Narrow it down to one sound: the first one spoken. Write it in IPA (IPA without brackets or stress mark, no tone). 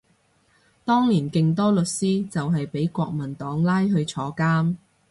t̪